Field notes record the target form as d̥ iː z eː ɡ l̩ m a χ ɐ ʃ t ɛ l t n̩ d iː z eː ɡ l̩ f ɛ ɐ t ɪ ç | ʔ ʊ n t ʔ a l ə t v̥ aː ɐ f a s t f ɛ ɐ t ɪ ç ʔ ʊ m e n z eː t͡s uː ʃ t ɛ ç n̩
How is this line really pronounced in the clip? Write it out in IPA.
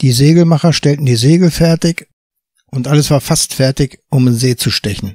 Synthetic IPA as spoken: d̥ iː z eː ɡ l̩ m a χ ɐ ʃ t ɛ l t n̩ d iː z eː ɡ l̩ f ɛ ɐ t ɪ ç | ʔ ʊ n t ʔ a l ə s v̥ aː ɐ f a s t f ɛ ɐ t ɪ ç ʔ ʊ m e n z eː t͡s u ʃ t ɛ ç n̩